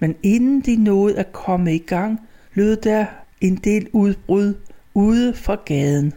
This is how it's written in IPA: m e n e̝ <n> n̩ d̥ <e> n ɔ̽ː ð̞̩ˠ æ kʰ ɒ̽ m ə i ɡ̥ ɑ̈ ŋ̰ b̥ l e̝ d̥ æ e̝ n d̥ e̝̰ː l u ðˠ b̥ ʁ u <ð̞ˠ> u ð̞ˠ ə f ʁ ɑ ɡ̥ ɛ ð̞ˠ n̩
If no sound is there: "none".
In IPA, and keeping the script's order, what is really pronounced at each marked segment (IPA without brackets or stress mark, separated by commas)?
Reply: n, i, ð̞ˠ